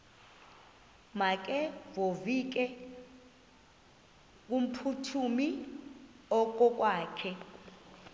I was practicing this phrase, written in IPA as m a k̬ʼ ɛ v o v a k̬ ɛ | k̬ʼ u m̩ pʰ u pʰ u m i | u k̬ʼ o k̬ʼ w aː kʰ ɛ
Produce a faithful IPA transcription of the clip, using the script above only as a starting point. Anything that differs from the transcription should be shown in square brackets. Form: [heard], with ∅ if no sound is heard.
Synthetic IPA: m a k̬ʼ ɛ v o v [i] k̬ ɛ | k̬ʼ u m̩ pʰ u [tʰ] u m i | [ɔ] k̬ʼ [ɔ] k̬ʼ w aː kʰ ɛ